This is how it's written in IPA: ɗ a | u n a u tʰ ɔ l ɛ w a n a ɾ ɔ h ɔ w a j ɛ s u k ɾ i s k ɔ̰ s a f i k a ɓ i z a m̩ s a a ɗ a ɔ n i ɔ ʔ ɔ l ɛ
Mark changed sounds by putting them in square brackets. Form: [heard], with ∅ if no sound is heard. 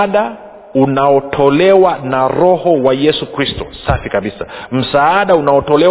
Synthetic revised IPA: ɗ a | u n a [ɔ] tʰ ɔ l ɛ w a n a ɾ ɔ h ɔ w a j ɛ s u k ɾ i s [t] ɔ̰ s a f i k a ɓ i [s] a m̩ s a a ɗ a [u] n [a] ɔ [t] ɔ l ɛ